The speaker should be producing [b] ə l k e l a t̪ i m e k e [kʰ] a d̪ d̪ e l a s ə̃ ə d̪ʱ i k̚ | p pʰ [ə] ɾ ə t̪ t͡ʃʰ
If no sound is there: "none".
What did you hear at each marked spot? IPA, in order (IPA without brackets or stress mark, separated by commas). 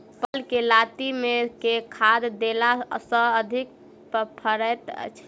p, kʰ, ə